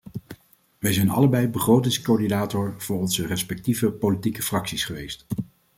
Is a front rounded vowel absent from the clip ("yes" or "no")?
yes